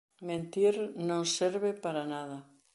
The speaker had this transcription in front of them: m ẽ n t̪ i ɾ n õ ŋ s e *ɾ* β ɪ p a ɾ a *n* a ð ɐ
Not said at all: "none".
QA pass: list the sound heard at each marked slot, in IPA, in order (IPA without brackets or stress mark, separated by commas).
ɾ, n